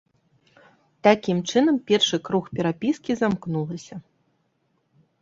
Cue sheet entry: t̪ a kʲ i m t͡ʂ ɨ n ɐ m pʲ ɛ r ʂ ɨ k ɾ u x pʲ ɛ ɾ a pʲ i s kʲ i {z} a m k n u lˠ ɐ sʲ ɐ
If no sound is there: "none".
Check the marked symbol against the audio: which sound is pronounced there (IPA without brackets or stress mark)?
z